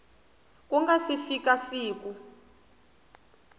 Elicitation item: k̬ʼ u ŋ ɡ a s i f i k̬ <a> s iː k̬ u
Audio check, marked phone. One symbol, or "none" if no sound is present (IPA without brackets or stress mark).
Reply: a